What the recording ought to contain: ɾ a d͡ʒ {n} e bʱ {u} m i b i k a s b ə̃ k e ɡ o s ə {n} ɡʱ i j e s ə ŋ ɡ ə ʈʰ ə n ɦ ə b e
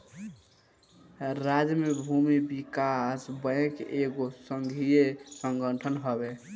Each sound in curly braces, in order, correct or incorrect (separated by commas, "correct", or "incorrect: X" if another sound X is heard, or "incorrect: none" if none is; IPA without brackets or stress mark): incorrect: m, correct, incorrect: ŋ